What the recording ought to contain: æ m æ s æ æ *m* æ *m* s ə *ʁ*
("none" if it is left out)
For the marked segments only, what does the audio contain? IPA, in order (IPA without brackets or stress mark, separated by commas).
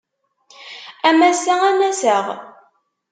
n, none, ʁ